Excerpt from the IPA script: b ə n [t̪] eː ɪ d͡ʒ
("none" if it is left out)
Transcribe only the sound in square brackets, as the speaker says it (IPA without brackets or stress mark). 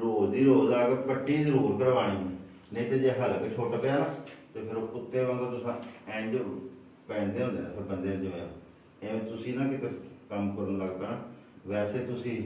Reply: d̪